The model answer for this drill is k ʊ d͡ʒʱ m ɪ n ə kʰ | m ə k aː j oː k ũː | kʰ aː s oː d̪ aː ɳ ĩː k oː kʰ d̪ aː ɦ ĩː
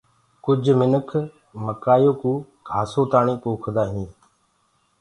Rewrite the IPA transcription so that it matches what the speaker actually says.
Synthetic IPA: k ʊ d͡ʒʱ m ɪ n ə kʰ | m ə k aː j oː k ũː | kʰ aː s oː t̪ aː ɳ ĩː k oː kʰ d̪ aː ɦ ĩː

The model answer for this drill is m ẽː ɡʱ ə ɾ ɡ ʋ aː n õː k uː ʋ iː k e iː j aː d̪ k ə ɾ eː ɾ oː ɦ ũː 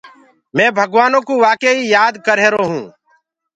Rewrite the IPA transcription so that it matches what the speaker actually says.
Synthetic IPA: m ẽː bʱ ə ɡ ʋ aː n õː k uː ʋ aː k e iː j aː d̪ k ə ɾ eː ɾ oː ɦ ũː

